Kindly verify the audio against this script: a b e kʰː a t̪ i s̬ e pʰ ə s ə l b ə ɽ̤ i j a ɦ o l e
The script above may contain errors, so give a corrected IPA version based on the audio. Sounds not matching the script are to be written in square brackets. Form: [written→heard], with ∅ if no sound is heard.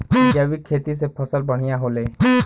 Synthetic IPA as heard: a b [e→i] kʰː [a→e] t̪ i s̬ e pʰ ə s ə l b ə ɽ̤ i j a ɦ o l e